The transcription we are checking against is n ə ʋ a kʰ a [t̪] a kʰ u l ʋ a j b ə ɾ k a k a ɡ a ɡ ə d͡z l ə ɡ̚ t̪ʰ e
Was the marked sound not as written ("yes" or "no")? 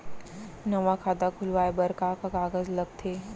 yes